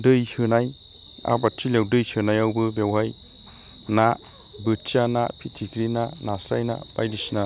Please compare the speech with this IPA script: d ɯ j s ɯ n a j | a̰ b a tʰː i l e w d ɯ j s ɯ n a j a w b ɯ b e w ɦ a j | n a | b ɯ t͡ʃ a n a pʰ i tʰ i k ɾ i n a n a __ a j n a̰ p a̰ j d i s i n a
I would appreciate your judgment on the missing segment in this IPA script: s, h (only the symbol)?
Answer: s